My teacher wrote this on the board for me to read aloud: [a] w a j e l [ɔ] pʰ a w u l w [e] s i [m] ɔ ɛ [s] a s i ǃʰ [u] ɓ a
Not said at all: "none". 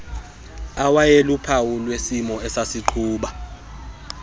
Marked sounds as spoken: a, u, e, m, s, uː

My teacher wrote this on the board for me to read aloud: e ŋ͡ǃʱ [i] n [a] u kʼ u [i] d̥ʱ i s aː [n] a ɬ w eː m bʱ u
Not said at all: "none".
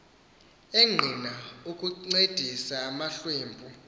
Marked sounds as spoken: i, a, e, m

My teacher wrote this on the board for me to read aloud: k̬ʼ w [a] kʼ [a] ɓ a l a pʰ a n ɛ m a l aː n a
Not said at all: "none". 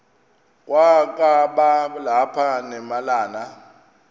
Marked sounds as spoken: a, a

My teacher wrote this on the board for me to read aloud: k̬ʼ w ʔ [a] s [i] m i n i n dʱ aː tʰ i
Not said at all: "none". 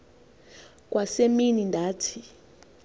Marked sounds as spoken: a, e

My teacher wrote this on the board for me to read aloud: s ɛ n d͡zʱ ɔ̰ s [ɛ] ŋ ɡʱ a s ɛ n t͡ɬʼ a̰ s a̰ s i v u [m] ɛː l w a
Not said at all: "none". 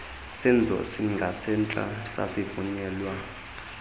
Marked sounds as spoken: i, ɲ

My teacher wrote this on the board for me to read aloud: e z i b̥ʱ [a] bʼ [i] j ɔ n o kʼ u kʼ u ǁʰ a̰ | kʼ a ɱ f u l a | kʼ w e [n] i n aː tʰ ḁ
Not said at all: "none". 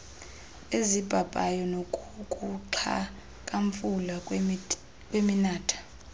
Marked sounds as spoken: a, a, m

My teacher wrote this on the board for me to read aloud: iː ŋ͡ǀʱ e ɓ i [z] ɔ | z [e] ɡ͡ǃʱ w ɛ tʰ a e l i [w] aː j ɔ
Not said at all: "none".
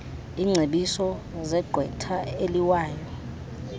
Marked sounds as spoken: s, ɛ, w

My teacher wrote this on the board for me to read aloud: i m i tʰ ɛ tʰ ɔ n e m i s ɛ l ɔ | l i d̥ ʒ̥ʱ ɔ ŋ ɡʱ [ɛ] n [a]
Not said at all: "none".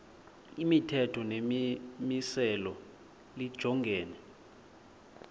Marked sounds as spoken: ɛː, ɛ

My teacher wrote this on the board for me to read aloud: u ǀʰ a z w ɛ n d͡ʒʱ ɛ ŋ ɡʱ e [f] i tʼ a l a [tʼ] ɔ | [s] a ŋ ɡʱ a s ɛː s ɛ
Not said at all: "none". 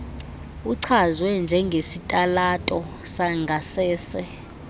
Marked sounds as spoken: s, tʼ, s

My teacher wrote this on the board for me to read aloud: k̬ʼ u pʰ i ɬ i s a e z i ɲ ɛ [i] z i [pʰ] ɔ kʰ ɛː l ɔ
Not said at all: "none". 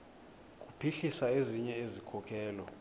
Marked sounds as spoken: e, kʰ

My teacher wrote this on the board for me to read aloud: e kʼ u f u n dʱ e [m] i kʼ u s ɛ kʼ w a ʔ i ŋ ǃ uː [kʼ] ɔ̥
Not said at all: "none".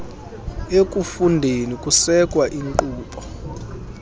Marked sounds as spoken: n, pʼ

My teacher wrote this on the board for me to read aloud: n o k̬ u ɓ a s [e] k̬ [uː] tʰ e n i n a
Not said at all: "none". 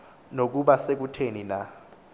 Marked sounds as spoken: e, u

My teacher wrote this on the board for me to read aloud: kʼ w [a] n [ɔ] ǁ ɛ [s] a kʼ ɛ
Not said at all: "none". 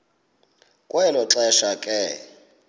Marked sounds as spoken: ɛ, ɔ, ʃ

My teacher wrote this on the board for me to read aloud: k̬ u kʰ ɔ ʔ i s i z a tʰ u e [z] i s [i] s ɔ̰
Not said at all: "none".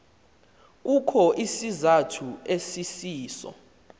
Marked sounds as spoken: s, iː

